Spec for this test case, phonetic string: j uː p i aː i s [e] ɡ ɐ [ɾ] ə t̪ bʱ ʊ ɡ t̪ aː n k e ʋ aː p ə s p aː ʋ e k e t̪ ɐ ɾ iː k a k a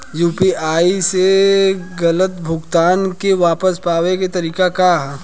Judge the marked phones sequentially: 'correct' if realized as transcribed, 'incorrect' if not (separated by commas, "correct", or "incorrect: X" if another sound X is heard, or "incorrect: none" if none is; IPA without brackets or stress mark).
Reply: correct, incorrect: l